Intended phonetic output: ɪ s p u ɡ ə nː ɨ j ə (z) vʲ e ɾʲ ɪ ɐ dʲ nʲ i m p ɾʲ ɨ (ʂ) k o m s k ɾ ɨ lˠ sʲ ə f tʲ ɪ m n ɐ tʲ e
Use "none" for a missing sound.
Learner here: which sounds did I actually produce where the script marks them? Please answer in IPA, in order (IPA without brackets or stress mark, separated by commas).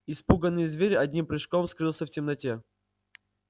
z, ʂ